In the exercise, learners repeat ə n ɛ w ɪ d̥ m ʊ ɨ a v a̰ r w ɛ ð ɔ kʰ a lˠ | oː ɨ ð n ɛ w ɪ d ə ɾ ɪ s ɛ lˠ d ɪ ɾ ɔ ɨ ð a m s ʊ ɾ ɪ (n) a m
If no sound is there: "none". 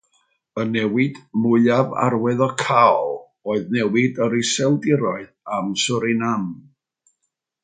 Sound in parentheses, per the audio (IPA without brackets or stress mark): n